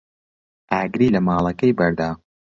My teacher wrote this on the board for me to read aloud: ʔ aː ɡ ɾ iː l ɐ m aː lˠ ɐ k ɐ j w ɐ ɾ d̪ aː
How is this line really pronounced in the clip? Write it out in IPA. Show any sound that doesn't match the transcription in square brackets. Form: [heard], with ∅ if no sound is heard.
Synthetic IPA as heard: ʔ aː ɡ ɾ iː l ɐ m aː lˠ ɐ k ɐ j [b] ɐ ɾ d̪ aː